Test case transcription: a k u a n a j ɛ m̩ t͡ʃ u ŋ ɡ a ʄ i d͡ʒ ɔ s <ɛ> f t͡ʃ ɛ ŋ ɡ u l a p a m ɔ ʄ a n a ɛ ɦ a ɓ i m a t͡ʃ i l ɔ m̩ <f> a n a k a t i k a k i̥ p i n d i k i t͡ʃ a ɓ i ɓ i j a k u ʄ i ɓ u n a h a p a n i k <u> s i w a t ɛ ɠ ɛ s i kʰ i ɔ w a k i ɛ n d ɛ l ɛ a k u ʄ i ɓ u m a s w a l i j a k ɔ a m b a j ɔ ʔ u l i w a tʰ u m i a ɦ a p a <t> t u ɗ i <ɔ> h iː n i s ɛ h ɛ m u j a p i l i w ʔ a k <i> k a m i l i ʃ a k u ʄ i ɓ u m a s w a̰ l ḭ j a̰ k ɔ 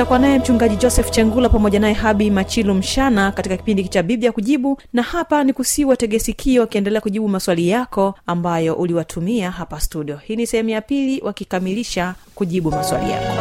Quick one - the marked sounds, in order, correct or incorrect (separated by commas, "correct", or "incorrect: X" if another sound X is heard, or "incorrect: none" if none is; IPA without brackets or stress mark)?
correct, incorrect: ʃ, correct, incorrect: s, correct, correct